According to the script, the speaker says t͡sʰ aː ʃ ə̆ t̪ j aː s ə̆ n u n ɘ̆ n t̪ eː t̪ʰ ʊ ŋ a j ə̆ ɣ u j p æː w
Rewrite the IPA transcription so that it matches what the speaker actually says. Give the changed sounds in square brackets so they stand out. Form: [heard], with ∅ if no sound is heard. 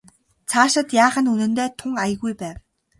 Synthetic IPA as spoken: t͡sʰ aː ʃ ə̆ t̪ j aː [χ] ə̆ n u n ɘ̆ n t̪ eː t̪ʰ ʊ ŋ a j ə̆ ɣ u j p æː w